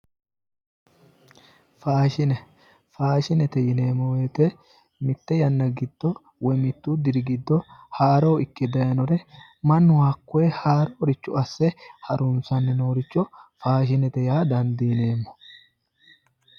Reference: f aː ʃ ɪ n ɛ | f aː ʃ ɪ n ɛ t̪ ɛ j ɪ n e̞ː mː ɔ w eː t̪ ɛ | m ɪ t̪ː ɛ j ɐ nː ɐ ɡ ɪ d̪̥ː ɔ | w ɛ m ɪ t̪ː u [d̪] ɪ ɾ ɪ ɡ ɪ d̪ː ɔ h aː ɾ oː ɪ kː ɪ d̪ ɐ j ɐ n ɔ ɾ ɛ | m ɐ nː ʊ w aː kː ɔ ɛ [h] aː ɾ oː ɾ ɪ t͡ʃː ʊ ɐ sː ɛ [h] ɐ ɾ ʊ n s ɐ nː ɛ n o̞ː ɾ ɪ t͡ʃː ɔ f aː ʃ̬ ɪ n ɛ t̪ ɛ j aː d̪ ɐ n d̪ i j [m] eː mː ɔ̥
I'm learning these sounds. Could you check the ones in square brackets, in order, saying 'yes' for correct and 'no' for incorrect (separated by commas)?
yes, yes, yes, no